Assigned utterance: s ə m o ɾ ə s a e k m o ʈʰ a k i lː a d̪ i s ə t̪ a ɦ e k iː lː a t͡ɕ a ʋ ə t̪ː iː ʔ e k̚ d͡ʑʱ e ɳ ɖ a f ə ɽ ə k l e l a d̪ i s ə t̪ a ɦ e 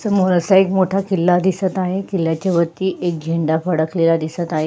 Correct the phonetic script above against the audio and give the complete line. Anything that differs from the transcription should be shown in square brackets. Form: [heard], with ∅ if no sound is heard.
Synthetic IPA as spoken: s ə m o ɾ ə s a e k m o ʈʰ a k i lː a d̪ i s ə t̪ a ɦ e k [i] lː a t͡ɕ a ʋ ə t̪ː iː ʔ e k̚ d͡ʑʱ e ɳ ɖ a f ə ɽ ə k l e l a d̪ i s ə t̪ a ɦ e

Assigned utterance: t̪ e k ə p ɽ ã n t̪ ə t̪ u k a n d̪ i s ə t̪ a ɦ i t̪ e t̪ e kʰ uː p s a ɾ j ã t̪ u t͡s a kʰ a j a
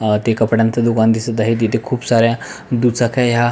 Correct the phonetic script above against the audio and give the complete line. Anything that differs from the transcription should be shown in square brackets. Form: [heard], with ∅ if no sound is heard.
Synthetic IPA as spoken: t̪ e k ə p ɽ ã n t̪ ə [d̪] u k a n d̪ i s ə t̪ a ɦ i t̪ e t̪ e kʰ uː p s a ɾ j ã [d̪] u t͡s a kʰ a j a

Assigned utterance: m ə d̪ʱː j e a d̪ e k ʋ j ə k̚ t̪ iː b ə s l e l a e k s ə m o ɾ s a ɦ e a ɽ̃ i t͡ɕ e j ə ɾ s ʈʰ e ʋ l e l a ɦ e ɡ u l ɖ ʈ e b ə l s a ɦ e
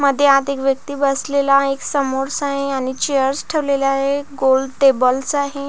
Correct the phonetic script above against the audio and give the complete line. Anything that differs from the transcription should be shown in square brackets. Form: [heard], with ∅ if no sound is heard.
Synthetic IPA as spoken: m ə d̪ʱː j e a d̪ e k ʋ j ə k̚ t̪ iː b ə s l e l a e k s ə m o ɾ s a ɦ e a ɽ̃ i t͡ɕ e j ə ɾ s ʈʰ e ʋ l e l a ɦ e ɡ [o] l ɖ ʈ e b ə l s a ɦ e

